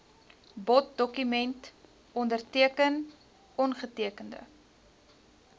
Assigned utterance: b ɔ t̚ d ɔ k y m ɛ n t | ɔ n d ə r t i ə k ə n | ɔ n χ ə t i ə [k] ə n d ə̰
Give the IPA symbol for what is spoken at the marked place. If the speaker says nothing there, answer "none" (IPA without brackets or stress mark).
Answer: k